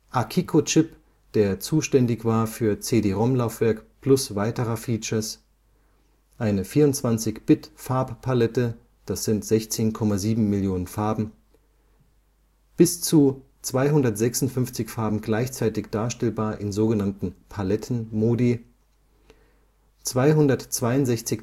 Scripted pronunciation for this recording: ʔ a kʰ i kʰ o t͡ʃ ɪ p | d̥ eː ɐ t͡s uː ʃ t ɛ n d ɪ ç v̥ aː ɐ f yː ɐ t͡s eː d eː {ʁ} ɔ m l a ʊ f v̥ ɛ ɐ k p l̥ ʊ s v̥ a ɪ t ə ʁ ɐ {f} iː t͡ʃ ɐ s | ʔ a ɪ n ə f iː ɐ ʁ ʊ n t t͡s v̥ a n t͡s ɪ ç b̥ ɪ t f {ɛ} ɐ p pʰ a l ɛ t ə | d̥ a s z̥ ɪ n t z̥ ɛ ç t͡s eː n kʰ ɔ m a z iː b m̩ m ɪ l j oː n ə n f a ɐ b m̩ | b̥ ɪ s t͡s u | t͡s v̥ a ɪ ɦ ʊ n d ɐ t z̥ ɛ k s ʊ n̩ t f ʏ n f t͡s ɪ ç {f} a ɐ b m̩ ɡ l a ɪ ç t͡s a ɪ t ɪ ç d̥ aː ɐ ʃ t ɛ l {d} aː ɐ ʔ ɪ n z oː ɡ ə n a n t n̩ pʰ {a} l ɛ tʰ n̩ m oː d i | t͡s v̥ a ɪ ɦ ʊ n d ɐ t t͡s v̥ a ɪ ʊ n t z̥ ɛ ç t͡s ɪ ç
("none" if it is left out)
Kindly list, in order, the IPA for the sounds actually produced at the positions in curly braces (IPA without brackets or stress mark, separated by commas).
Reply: ʁ, f, a, f, b, a